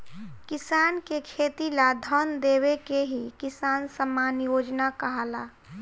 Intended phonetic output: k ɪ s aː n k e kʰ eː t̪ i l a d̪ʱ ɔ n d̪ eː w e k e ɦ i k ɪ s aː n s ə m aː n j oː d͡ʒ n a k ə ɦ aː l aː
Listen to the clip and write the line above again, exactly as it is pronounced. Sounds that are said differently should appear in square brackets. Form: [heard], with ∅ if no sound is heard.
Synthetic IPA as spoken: k ɪ s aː n k e kʰ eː t̪ i l a d̪ʱ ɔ n d̪ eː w e k e ɦ i k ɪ s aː n s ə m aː n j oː d͡ʒ n a k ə ɦ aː l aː